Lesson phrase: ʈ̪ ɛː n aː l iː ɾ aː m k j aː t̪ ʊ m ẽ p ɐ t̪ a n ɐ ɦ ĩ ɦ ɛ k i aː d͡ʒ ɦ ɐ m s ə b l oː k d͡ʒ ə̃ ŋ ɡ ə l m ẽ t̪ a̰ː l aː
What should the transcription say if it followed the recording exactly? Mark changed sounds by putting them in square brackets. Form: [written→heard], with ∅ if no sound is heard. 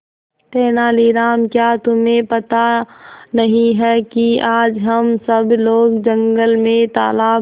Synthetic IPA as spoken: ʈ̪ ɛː n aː l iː ɾ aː m k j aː t̪ ʊ m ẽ p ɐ t̪ a n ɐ ɦ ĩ ɦ ɛ k i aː d͡ʒ ɦ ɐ m s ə b l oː [k→ɡ] d͡ʒ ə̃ ŋ ɡ ə l m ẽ t̪ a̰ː l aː